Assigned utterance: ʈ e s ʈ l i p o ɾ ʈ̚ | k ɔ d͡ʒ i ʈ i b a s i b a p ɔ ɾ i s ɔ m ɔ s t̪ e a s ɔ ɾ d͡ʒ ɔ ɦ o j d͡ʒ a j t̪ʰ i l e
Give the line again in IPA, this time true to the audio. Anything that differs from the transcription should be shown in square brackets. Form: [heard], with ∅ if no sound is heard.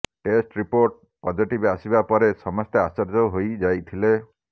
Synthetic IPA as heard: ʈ e s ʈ [ɾ] i p o ɾ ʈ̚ | [p] ɔ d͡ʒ i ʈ i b a s i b a p ɔ ɾ [e] s ɔ m ɔ s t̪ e a s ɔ ɾ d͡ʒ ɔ ɦ o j d͡ʒ a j t̪ʰ i l e